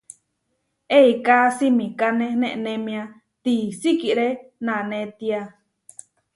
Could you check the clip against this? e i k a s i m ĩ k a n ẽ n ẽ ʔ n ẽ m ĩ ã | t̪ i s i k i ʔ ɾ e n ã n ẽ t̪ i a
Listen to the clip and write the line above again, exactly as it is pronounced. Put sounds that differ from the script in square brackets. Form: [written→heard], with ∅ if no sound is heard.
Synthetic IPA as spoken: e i k a s i m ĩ k a n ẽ n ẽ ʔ n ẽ m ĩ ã | t̪ i s i k i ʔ ɾ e n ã n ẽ t̪ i a